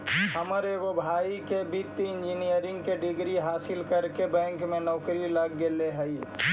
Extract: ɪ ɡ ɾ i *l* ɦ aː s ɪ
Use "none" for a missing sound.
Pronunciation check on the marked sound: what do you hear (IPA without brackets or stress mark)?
none